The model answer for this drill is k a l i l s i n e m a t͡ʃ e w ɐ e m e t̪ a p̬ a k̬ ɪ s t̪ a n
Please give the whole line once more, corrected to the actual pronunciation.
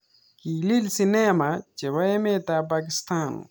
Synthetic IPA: k i l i l s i n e m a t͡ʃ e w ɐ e m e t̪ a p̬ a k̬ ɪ s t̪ a n